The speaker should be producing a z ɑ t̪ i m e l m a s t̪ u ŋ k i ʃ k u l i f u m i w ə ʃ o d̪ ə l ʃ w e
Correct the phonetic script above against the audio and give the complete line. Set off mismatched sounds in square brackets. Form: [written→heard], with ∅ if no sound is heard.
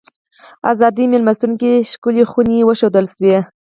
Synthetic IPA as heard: a z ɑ [t̪→d̪] i m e l m a s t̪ u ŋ k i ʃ k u l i [f→x] u [m→n] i w ə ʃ o d̪ ə l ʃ w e